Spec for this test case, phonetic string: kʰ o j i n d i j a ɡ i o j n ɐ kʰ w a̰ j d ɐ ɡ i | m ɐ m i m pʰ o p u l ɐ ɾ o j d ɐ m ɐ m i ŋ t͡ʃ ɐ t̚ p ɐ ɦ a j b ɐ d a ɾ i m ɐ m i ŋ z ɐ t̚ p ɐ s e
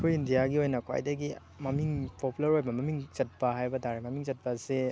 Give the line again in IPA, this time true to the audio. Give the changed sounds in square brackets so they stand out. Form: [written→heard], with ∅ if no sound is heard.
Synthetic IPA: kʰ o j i n d i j a ɡ i o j n ɐ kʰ w a̰ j d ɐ ɡ i | m ɐ m i [m→ŋ] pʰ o p u l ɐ ɾ o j [d→b] ɐ m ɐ m i ŋ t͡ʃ ɐ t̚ p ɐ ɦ a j b ɐ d a ɾ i m ɐ m i ŋ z ɐ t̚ p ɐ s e